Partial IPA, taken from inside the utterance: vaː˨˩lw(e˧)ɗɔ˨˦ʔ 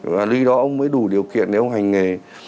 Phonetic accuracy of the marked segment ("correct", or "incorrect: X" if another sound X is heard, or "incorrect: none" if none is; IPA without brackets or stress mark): incorrect: i˧